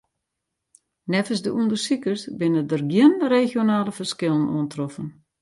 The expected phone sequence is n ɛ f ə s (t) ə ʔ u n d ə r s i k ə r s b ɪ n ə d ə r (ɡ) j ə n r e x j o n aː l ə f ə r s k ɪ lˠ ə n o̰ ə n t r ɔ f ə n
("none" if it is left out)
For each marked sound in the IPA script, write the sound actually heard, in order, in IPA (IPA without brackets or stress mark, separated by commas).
d, ɡ